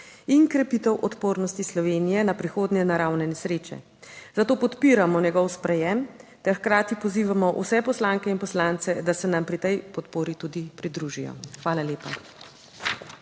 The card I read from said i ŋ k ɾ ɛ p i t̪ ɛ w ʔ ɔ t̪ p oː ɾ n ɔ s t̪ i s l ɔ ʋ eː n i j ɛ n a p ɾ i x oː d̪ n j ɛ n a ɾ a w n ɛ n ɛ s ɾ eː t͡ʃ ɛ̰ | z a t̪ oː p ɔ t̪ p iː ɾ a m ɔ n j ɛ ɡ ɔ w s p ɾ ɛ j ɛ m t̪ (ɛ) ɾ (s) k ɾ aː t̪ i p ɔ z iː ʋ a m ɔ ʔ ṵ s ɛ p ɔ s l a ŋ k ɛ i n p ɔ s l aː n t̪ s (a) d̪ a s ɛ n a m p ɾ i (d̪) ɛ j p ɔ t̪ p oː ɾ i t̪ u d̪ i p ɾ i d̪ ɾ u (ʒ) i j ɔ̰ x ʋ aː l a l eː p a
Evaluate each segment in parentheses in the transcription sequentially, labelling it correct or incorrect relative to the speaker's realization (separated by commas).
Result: correct, incorrect, incorrect, incorrect, correct